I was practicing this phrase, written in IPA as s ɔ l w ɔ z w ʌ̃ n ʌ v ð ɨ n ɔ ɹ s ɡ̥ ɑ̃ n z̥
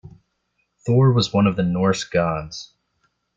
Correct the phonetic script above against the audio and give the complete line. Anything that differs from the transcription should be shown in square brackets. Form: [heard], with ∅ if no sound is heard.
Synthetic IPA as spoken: [θ] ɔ [ɹ] w [ʌ] z w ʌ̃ n ʌ v ð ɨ n ɔ ɹ s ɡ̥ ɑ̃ n z̥

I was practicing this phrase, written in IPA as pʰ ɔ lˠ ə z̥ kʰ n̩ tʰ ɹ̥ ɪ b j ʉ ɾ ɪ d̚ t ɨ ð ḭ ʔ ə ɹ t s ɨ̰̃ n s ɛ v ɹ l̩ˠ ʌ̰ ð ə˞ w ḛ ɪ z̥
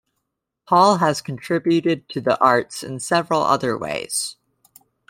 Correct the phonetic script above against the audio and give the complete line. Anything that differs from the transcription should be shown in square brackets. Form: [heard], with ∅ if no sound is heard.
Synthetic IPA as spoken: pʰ ɔ lˠ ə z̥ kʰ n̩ tʰ ɹ̥ ɪ b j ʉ ɾ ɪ d̚ [tʰ] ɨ ð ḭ ʔ [ɑ] ɹ t s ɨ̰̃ n s ɛ v ɹ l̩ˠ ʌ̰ ð ə˞ w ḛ ɪ z̥

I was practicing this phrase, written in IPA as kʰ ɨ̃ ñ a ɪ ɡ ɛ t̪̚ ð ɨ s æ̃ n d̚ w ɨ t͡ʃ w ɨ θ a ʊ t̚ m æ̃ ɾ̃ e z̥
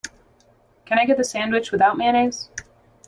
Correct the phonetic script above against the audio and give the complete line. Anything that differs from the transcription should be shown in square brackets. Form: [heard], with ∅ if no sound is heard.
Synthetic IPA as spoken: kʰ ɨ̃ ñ a ɪ ɡ ɛ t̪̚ ð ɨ s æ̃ n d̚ w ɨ t͡ʃ w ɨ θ a ʊ t̚ m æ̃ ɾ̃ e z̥

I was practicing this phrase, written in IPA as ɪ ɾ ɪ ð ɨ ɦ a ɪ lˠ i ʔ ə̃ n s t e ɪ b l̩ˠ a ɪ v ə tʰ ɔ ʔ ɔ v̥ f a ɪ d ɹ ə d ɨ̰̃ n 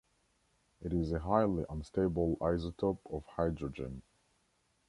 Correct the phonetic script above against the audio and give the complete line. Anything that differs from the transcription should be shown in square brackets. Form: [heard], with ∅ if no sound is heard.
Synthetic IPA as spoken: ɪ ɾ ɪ [z] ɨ ɦ a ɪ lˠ i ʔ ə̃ n s t e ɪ b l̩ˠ a ɪ [z] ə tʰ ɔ [p] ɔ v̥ [h] a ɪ d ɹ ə [d͡ʒ] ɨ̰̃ n

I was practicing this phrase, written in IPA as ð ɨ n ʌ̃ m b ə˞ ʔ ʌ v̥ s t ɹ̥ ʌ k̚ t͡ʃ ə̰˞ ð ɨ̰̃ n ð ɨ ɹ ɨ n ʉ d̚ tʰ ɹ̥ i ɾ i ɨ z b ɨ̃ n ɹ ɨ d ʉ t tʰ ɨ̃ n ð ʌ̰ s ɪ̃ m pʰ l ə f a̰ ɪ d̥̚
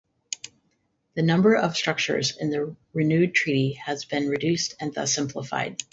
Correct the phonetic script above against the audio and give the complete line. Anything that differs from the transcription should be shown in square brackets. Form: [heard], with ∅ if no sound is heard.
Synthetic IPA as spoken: ð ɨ n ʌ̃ m b ə˞ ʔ ʌ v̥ s t ɹ̥ ʌ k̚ t͡ʃ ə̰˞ [z] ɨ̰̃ n ð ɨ ɹ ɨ n ʉ d̚ tʰ ɹ̥ i ɾ i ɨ z b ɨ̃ n ɹ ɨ d ʉ [s] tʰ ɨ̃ n ð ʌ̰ s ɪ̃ m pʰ l ə f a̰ ɪ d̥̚

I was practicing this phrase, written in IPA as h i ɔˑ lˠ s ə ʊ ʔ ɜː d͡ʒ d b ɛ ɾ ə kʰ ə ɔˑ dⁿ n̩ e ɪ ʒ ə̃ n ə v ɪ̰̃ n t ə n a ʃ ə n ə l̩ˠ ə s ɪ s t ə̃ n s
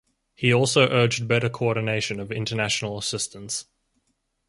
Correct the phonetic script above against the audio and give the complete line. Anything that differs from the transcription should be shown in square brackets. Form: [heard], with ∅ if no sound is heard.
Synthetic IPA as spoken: h i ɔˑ lˠ s ə ʊ ʔ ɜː d͡ʒ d b ɛ ɾ ə kʰ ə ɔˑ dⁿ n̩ e ɪ [ʃ] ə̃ n ə v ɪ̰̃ n t ə n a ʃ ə n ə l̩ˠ ə s ɪ s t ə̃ n s

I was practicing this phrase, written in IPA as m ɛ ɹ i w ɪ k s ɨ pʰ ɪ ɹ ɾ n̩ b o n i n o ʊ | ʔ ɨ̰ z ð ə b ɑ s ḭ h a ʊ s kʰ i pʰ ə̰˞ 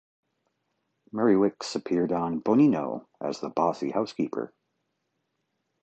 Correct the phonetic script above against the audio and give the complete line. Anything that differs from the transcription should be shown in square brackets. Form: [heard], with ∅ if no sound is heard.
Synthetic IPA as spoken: m ɛ ɹ i w ɪ k s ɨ pʰ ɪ ɹ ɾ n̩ b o n i n o ʊ | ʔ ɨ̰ z ð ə b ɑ s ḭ h a ʊ s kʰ i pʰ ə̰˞

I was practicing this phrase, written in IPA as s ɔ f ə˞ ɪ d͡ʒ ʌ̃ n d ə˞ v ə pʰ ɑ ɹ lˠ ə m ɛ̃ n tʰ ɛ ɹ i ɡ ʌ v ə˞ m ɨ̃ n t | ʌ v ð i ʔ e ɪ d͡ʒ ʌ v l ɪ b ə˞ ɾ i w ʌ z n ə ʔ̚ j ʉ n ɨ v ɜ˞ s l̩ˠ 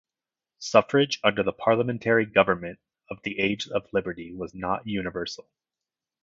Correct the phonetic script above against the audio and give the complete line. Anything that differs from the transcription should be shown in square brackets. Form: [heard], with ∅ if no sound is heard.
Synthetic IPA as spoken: s [ʌ] f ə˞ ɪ d͡ʒ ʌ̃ n d ə˞ [ð] ə pʰ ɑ ɹ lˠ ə m ɛ̃ n tʰ ɛ ɹ i ɡ ʌ v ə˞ m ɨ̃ n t | ʌ v ð i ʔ e ɪ d͡ʒ ʌ v l ɪ b ə˞ ɾ i w ʌ z n ə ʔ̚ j ʉ n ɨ v ɜ˞ s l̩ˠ

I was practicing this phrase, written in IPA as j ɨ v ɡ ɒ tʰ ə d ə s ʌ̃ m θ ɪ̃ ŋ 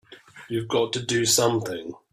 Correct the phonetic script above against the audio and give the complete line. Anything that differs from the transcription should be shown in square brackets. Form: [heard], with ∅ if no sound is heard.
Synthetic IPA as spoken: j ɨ v ɡ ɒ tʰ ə d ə s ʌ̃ m θ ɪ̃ ŋ

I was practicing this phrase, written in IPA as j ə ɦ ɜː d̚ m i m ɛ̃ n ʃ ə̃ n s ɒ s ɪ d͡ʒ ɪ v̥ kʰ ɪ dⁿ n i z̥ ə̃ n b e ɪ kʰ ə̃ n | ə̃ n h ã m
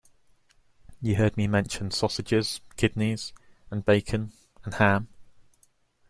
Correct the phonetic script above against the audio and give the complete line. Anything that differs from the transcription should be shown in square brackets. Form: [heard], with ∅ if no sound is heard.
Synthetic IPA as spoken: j ə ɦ ɜː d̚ m i m ɛ̃ n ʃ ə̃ n s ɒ s ɪ d͡ʒ ɪ [z̥] kʰ ɪ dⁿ n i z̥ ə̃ n b e ɪ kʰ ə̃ n | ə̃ n h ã m

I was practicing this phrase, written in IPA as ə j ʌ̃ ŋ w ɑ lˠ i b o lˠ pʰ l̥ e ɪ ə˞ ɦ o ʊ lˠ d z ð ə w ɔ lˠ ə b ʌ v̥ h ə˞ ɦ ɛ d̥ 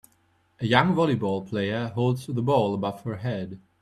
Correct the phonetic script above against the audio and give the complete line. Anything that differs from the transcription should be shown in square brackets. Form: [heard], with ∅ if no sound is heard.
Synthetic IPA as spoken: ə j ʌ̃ ŋ [v] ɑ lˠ i b [ɔ] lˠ pʰ l̥ e ɪ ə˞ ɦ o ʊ lˠ d z ð ə [b] ɔ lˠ ə b ʌ v̥ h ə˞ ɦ ɛ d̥

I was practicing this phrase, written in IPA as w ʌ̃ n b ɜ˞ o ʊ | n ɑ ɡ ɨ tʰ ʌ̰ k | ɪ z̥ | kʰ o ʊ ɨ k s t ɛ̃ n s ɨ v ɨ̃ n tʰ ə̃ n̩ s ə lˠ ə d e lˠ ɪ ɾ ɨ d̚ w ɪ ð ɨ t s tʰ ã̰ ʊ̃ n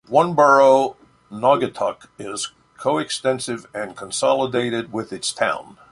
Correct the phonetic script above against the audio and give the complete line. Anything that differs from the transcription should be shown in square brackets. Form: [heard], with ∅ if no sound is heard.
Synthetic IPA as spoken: w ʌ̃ n b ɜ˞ o ʊ | n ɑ ɡ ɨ tʰ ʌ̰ k | ɪ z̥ | kʰ o ʊ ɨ k s t ɛ̃ n s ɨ v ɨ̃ n [kʰ] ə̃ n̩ s [ɑ] lˠ ə d e [∅] ɪ ɾ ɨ d̚ w ɪ ð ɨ t s tʰ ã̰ ʊ̃ n

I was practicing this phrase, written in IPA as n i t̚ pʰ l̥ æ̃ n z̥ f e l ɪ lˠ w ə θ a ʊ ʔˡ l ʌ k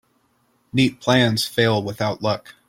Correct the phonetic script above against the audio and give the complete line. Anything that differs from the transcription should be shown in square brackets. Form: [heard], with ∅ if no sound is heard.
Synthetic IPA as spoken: n i t̚ pʰ l̥ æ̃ n z̥ f e [∅] ɪ lˠ w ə θ a ʊ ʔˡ l ʌ k

